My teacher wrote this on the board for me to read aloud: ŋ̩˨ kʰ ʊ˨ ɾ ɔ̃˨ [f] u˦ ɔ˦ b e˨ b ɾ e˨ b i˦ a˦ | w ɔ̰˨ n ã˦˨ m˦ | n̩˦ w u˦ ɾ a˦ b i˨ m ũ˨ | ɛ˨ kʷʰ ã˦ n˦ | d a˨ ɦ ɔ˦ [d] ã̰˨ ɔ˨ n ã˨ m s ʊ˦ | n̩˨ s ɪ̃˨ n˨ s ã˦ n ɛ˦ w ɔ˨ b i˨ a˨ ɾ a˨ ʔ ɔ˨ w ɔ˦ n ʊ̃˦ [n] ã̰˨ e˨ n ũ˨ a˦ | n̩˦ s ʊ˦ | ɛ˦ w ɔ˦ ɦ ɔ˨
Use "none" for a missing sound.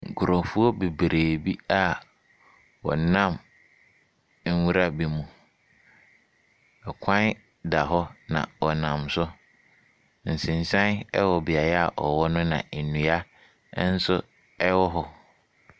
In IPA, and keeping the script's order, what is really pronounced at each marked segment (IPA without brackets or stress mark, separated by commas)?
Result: f, n, n